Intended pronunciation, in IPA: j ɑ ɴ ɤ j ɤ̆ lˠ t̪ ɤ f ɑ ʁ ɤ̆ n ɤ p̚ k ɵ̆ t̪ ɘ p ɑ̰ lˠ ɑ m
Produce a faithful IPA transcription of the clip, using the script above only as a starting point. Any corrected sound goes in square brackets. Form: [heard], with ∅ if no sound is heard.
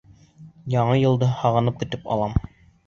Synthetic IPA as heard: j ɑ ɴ ɤ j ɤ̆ lˠ [d̪] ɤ [h] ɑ ʁ ɤ̆ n ɤ p̚ k ɵ̆ t̪ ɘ p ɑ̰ lˠ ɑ m